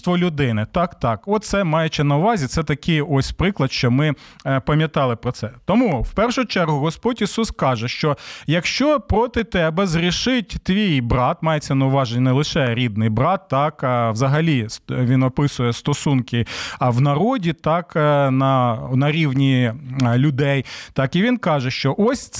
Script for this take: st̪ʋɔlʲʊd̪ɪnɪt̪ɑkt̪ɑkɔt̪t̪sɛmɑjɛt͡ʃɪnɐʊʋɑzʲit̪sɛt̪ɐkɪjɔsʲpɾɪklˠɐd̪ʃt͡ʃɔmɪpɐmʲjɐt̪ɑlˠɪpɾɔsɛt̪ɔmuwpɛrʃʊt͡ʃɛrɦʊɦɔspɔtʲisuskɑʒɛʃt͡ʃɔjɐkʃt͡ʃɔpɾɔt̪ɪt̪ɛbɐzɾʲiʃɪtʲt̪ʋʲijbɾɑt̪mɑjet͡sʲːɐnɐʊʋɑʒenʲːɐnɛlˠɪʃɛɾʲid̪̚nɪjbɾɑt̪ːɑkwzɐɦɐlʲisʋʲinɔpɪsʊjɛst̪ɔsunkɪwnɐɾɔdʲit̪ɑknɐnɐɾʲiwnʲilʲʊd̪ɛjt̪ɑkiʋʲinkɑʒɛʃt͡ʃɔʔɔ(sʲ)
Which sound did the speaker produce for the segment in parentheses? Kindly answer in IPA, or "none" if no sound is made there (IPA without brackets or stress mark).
sʲ